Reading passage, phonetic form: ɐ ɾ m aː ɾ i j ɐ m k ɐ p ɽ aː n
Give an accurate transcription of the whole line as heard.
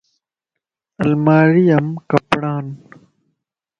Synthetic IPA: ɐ l m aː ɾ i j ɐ m k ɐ p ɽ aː n

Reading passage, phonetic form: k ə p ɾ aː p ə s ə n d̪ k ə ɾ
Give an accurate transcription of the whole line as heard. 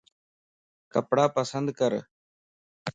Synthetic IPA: k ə p ɽ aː p ə s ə n d̪ k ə ɾ

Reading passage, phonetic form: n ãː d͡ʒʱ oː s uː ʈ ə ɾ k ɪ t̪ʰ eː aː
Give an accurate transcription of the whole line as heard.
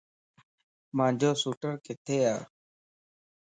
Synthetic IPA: m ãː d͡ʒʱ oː s uː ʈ ə ɾ k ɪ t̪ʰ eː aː

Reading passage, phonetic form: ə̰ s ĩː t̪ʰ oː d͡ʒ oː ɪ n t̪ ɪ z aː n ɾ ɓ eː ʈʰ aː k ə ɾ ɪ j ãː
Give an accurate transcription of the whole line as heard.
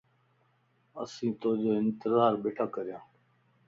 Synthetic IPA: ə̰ s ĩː t̪ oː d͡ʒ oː ɪ n t̪ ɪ z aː ɾ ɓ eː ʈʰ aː k ə ɾ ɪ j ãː

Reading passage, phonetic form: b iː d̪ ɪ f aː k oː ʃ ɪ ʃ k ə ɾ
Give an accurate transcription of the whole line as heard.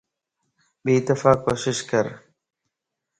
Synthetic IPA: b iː t̪ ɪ f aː k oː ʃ ɪ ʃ k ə ɾ

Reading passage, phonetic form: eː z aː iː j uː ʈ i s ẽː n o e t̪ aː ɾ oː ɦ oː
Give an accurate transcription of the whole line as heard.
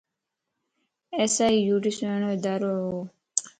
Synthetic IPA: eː s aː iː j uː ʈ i s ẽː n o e d̪ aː ɾ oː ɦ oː

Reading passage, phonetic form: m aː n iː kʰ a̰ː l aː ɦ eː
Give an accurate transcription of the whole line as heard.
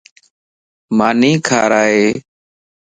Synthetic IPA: m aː n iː kʰ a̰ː ɾ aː ɦ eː

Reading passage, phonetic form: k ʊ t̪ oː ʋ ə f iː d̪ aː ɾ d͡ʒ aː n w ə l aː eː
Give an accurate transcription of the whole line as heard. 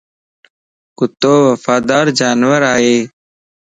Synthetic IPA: k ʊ t̪ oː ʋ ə f aː d̪ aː ɾ d͡ʒ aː n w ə ɾ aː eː

